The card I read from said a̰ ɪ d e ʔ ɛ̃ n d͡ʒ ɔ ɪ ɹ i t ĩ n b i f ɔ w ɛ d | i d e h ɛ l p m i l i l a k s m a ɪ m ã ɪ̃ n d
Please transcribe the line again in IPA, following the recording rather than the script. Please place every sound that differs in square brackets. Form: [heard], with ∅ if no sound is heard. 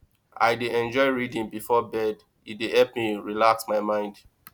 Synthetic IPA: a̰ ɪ d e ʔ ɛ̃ n d͡ʒ ɔ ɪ ɹ i [d] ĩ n b i f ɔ [b] ɛ d | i d e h ɛ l p m i [ɹ] i l a k s m a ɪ m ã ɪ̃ n d